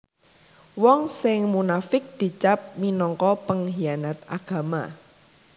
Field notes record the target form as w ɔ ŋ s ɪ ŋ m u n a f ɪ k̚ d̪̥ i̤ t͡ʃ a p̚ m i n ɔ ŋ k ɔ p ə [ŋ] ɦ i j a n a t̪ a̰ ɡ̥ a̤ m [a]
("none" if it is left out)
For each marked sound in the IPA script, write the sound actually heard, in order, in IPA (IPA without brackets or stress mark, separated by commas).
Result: ŋ, a